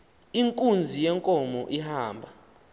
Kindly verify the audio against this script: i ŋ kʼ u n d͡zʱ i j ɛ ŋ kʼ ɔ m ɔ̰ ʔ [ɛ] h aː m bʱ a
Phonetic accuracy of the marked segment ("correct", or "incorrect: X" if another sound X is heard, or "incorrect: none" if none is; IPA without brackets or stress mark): incorrect: i